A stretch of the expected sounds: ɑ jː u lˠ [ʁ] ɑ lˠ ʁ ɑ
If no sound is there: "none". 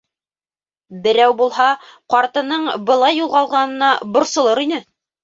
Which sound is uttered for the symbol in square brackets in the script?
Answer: ʁ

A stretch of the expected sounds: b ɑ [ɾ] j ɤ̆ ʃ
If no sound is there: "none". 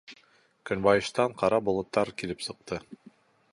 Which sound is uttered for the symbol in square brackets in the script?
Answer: none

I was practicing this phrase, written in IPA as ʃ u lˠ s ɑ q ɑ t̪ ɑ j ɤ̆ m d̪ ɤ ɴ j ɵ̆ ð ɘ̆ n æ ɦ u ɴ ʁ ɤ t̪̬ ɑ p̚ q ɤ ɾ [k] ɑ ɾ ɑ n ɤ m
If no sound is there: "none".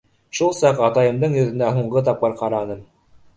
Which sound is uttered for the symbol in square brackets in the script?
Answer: q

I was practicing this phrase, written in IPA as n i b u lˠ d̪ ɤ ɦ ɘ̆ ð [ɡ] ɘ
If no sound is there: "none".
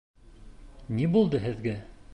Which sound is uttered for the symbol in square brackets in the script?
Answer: ɡ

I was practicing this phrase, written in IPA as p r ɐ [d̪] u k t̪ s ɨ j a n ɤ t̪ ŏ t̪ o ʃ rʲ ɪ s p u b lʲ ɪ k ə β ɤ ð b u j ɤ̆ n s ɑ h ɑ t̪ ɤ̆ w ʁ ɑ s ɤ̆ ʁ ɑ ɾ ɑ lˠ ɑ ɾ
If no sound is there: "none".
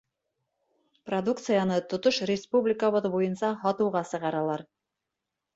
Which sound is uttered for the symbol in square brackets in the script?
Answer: d̪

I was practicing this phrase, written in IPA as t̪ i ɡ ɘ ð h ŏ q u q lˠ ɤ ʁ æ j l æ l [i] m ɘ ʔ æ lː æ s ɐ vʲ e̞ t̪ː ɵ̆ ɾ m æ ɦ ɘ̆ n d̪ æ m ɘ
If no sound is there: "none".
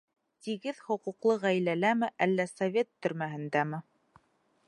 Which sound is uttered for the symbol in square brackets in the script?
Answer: æ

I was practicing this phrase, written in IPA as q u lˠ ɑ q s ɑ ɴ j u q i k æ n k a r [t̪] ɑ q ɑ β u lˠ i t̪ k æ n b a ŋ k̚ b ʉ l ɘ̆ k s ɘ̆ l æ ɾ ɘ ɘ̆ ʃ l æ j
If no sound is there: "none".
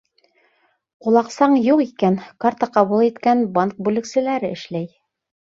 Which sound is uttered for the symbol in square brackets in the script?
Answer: t̪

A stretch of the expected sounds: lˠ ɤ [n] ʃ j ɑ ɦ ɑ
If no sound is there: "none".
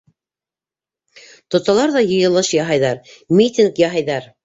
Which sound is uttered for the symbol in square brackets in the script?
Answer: none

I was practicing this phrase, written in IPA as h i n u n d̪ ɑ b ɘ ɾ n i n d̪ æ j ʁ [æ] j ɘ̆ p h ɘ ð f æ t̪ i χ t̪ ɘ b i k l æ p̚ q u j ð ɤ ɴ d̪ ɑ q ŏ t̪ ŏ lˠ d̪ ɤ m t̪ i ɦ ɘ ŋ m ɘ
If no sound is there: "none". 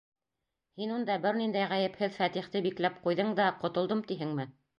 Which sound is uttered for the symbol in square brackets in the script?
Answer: æ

